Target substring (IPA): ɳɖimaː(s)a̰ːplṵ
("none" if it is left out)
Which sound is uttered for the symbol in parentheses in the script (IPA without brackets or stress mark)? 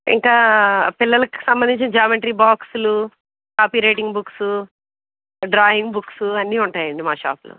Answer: ʃ